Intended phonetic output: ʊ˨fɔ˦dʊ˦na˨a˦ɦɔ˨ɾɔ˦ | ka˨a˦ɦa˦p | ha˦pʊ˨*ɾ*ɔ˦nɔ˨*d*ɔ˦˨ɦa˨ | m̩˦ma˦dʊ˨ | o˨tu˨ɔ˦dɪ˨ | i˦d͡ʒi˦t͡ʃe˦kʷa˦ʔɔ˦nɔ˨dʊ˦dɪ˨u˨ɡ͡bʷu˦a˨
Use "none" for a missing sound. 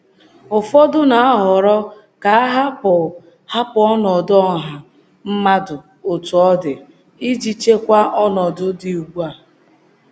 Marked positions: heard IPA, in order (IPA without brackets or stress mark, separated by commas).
none, d